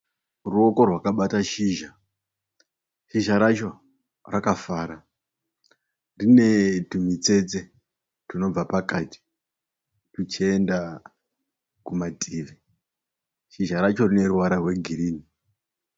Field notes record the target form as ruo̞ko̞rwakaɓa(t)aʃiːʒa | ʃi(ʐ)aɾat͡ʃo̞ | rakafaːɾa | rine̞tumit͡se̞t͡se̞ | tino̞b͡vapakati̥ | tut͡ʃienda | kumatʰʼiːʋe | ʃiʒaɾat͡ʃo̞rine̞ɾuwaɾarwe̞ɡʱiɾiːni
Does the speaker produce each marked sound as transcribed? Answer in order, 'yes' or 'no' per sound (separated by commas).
yes, no